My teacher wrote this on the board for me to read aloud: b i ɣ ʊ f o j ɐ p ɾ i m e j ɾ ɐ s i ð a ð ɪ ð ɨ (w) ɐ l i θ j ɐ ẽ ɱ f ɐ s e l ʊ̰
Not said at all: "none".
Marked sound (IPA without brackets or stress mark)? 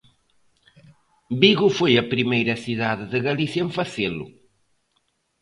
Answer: ɣ